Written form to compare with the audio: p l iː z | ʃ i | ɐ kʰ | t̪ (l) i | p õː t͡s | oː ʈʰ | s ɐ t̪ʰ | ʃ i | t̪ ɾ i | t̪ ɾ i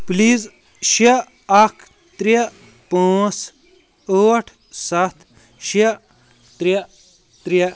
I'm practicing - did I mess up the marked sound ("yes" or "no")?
yes